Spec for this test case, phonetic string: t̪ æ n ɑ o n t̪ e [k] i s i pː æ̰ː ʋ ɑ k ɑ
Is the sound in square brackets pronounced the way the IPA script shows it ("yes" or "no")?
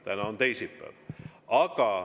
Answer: no